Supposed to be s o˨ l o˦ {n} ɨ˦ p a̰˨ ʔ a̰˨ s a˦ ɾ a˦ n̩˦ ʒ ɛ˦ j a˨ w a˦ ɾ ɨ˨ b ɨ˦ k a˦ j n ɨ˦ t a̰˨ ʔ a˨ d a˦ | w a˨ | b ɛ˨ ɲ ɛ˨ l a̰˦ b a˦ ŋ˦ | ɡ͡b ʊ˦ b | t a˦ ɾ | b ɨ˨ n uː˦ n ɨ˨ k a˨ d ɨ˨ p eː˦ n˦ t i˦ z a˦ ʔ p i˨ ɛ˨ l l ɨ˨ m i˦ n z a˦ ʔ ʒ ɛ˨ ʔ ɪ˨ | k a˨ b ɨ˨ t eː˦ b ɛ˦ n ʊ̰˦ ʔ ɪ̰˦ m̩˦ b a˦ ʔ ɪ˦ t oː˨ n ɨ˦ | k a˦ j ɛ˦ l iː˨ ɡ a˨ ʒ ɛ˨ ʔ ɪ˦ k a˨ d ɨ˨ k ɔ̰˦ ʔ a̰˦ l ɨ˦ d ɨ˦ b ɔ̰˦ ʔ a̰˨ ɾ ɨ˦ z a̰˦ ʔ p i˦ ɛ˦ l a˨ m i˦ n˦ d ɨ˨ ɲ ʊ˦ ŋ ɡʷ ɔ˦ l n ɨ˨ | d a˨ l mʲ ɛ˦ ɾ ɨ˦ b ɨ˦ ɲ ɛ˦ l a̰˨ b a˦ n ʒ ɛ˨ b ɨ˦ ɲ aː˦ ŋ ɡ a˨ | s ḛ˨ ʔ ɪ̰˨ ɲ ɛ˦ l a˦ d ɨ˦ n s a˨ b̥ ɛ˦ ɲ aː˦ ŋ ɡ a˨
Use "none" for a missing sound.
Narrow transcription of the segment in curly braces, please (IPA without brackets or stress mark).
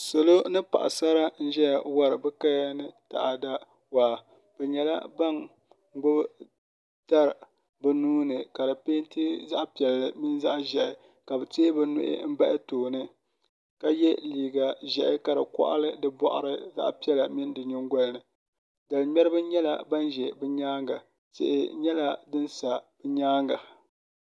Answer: n